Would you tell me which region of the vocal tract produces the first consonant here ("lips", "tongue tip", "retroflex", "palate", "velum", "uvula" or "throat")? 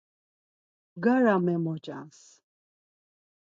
velum